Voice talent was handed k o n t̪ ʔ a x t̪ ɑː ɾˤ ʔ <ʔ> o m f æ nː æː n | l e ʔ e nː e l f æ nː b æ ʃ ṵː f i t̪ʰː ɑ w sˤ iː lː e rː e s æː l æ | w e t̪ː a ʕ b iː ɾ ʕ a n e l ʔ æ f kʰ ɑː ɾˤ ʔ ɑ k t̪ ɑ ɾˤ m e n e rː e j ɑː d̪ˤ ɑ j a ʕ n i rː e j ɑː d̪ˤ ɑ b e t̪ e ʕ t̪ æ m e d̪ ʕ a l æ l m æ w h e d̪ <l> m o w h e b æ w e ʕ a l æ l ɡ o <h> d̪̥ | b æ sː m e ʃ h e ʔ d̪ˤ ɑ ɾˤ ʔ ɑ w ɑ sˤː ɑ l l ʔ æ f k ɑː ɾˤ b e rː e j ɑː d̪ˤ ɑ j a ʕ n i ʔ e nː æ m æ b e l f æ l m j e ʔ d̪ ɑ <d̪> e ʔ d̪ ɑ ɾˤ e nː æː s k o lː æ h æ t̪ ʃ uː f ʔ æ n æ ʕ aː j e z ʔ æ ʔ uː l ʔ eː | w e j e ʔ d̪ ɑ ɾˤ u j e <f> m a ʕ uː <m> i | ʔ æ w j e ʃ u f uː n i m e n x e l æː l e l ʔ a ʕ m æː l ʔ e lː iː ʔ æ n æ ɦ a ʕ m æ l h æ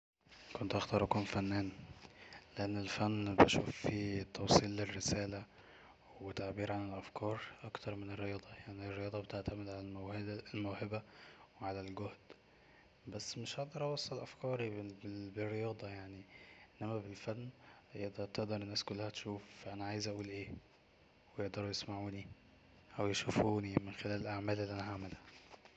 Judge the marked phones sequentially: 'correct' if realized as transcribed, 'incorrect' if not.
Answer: incorrect: k, correct, correct, incorrect: t̪, incorrect: s, incorrect: n

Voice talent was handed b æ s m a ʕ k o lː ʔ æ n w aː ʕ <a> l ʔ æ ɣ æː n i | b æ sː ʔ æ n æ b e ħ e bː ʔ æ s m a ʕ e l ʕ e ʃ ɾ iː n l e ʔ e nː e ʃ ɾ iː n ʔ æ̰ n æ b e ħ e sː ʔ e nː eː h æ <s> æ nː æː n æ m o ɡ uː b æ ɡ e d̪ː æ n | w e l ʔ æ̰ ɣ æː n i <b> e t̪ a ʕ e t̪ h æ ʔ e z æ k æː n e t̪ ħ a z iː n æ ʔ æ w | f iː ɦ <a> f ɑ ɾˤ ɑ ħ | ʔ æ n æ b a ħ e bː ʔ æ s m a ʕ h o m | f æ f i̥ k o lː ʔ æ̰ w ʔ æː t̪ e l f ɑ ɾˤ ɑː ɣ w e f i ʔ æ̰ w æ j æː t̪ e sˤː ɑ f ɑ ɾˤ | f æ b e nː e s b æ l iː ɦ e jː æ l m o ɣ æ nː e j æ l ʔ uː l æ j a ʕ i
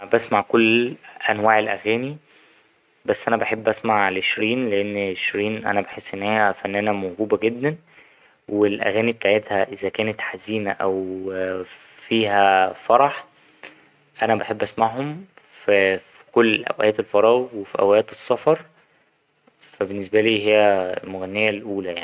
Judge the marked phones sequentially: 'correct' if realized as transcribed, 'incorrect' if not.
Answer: incorrect: e, incorrect: f, correct, incorrect: æ

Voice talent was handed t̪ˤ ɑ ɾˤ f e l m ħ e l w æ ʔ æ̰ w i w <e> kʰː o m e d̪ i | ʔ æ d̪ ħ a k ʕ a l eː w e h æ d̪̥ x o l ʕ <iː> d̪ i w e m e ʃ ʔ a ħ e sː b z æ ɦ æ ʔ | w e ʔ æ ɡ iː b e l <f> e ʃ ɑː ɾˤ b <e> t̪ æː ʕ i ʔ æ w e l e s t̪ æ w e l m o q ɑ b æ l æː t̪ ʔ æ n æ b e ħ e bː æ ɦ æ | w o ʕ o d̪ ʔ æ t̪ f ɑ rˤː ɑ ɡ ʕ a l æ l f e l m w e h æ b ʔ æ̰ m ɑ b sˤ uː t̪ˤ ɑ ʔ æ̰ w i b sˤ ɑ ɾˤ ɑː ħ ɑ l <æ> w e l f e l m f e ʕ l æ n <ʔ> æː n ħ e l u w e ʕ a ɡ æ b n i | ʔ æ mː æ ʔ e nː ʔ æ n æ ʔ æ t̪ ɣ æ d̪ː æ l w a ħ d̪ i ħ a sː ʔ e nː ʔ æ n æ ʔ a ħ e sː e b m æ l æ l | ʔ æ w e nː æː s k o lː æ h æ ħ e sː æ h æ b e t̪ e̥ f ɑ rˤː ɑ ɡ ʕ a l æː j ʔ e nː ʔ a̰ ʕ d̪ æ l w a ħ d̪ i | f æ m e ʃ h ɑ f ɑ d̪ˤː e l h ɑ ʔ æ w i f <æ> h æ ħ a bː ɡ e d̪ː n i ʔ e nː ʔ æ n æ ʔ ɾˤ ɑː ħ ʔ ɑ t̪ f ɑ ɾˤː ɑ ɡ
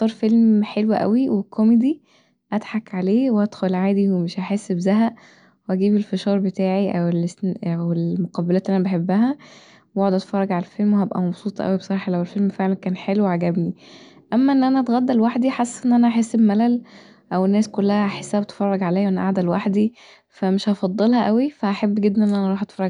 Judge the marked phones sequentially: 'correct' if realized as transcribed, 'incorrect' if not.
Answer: correct, incorrect: aː, correct, correct, correct, incorrect: k, correct

